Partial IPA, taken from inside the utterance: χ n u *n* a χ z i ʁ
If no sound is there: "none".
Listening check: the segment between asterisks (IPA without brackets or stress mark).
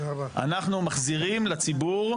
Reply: m